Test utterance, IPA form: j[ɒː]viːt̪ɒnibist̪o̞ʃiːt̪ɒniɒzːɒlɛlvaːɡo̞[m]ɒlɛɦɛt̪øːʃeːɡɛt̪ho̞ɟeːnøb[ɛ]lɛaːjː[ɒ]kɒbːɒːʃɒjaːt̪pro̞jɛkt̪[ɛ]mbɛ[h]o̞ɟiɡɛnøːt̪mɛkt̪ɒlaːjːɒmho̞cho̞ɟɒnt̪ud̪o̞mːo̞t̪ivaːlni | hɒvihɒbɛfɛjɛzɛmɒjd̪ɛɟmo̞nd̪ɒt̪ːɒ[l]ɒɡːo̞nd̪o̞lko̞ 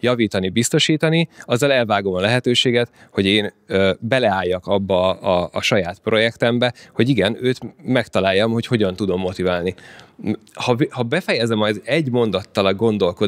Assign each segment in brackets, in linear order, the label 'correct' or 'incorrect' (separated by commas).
incorrect, correct, correct, correct, correct, correct, correct